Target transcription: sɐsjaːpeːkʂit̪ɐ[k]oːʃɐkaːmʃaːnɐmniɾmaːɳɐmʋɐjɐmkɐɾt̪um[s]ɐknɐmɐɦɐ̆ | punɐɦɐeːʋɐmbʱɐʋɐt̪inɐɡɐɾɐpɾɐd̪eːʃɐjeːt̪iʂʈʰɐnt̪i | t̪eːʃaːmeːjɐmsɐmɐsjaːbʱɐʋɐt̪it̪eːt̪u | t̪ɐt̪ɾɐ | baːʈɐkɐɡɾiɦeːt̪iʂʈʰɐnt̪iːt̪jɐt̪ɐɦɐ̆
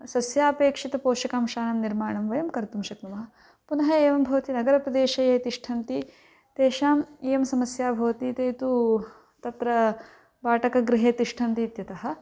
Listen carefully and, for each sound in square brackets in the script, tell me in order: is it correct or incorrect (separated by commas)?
incorrect, incorrect